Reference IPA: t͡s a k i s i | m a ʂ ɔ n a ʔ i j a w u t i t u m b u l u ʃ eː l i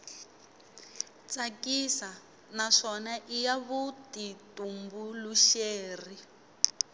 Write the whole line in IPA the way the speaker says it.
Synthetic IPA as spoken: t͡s a k i s a | n a ʂ ɔ n a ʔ i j a β u t i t u m b u l u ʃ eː r i